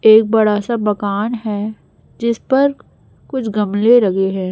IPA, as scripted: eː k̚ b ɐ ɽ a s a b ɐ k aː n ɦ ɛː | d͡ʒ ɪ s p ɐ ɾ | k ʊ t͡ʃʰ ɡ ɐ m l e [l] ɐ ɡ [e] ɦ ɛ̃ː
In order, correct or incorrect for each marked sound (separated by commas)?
incorrect, correct